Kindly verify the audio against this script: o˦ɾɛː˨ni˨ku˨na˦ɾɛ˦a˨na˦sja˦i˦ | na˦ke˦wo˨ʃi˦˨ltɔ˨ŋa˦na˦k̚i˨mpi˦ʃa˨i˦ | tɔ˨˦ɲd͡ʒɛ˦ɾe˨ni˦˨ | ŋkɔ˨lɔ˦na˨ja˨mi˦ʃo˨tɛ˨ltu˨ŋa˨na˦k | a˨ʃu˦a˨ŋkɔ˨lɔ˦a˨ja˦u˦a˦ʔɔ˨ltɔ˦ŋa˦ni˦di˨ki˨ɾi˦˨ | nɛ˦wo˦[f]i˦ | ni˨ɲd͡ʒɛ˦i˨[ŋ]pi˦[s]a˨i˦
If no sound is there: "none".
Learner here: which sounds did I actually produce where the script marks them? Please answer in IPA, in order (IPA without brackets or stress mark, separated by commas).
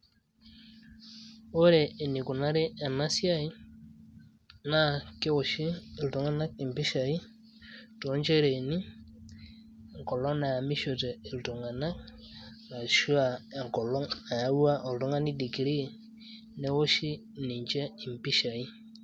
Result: ʃ, m, ʃ